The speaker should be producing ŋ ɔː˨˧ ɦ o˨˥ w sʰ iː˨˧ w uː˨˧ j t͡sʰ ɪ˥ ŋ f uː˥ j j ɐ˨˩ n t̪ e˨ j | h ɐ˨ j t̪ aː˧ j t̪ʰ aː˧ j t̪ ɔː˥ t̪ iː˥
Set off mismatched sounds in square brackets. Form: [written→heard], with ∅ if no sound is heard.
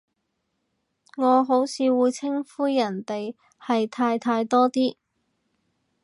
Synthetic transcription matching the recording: ŋ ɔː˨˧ ɦ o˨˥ w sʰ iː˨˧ w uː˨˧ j t͡sʰ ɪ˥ ŋ f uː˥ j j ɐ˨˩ n t̪ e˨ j | h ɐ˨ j [t̪→t̪ʰ] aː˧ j t̪ʰ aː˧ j t̪ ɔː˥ t̪ iː˥